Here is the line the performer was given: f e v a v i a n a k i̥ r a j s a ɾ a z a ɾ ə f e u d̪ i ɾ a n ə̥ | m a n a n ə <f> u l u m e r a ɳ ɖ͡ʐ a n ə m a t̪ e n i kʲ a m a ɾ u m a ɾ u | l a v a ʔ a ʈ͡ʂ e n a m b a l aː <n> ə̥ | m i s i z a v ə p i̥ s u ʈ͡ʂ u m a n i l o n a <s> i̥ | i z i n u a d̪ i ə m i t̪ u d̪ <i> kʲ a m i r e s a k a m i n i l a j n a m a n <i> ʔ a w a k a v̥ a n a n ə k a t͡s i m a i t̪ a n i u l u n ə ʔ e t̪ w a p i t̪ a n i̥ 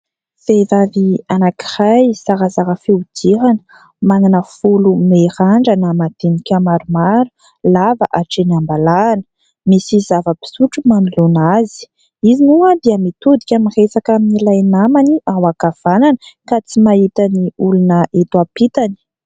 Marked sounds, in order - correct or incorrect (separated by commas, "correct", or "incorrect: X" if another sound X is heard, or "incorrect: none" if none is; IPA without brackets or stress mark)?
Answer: correct, correct, incorrect: z, correct, correct